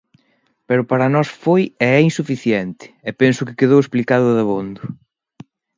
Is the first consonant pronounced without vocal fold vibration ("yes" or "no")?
yes